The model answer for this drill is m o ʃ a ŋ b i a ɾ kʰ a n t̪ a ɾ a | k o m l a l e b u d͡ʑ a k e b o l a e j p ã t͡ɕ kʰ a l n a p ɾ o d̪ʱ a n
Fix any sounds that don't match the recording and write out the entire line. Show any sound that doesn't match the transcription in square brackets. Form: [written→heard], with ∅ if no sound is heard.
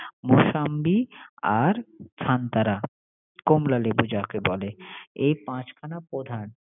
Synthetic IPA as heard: m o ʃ a [ŋ→m] b i a ɾ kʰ a n t̪ a ɾ a | k o m l a l e b u d͡ʑ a k e b [o→ɔ] l [a→e] e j p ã t͡ɕ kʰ a [l→∅] n a p ɾ o d̪ʱ a n

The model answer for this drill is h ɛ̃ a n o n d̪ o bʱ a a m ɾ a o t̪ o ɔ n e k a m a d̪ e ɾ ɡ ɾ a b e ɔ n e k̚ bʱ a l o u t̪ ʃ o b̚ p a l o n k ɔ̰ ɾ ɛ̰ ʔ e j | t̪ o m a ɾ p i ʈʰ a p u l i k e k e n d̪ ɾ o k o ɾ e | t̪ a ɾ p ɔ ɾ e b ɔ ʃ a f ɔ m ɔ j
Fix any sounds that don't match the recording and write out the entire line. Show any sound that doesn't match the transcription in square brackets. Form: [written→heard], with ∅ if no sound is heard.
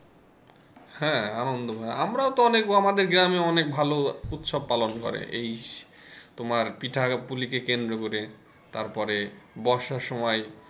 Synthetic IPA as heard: h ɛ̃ a n o n d̪ o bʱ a a m ɾ a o t̪ o ɔ n e k a m a d̪ e ɾ ɡ ɾ a [b→m] e ɔ n e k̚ bʱ a l o u t̪ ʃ o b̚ p a l o n k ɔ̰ ɾ [ɛ̰→ḛ] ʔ e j | t̪ o m a ɾ p i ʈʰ a p u l i k e k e n d̪ ɾ o k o ɾ e | t̪ a ɾ p ɔ ɾ e b ɔ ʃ a [f→ʃ] ɔ m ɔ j

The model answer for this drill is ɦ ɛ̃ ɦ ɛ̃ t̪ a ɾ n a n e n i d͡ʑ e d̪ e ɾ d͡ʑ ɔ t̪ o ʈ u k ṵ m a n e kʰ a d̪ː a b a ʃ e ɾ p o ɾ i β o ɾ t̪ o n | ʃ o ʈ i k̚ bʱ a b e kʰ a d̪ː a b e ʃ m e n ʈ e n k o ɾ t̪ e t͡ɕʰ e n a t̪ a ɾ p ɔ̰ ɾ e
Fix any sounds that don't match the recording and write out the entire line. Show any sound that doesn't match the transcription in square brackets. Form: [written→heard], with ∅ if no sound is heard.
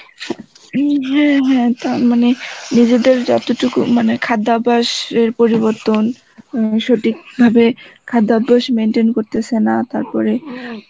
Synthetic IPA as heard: ɦ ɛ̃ ɦ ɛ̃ t̪ a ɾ [n→m] a n e n i d͡ʑ e d̪ e ɾ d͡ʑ ɔ t̪ o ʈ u k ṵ m a n e kʰ a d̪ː a b a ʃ e ɾ p o ɾ i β o ɾ t̪ o n | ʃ o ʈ i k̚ bʱ a b e kʰ a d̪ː a b [e→a] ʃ m e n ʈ e n k o ɾ t̪ e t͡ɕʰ e n a t̪ a ɾ p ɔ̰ ɾ e

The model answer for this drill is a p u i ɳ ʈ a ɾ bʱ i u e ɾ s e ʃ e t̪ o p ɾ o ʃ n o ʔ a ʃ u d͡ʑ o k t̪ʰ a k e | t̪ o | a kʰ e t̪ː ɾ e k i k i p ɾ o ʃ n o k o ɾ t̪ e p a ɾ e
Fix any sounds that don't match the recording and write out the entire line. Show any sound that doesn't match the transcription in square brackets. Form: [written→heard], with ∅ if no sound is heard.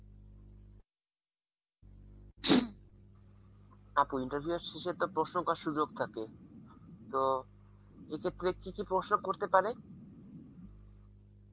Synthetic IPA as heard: a p u i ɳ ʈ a ɾ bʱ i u e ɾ [s→ʃ] e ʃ e t̪ o p ɾ o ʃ n o [ʔ→k] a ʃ u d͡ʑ o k t̪ʰ a k e | t̪ o | [a→e] kʰ e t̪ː ɾ e k i k i p ɾ o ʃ n o k o ɾ t̪ e p a ɾ e

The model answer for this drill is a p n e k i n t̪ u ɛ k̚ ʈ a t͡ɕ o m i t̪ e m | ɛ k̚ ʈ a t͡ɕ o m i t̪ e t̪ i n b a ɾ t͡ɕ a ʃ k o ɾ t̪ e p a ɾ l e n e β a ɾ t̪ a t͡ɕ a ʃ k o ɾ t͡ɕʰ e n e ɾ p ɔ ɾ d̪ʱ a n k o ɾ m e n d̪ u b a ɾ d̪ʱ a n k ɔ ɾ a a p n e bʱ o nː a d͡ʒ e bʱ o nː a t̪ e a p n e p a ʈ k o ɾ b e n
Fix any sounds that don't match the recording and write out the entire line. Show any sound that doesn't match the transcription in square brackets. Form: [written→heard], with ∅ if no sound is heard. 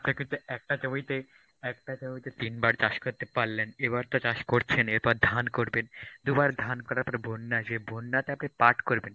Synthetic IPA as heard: a p n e k i n t̪ u ɛ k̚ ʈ a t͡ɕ o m i t̪ e [m→∅] | ɛ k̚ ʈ a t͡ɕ o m i t̪ e t̪ i n b a ɾ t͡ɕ a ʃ k o ɾ t̪ e p a ɾ l e n e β a ɾ t̪ a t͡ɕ a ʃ k o ɾ t͡ɕʰ e n e ɾ p ɔ ɾ d̪ʱ a n k o ɾ [m→b] e n d̪ u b a ɾ d̪ʱ a n k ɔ ɾ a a p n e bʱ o nː a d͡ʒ e bʱ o nː a t̪ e a p n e p a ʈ k o ɾ b e n

